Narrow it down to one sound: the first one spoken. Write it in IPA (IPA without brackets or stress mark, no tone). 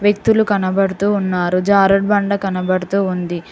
ʋ